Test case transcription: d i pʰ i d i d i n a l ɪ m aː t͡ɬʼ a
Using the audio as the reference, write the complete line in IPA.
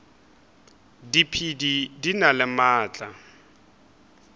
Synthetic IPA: d i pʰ i d i d i n a l ɪ m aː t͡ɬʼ a